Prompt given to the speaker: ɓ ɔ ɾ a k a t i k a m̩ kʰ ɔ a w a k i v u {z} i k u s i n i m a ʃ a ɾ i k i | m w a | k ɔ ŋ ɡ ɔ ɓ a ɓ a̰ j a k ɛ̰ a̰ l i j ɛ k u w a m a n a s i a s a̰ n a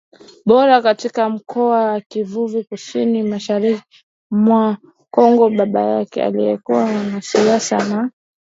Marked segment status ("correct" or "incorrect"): incorrect